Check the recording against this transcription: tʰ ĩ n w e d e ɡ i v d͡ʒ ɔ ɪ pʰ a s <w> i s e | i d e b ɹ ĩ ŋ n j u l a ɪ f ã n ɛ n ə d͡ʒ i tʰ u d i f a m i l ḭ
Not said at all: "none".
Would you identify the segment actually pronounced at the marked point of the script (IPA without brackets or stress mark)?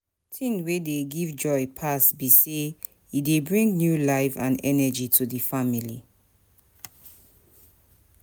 b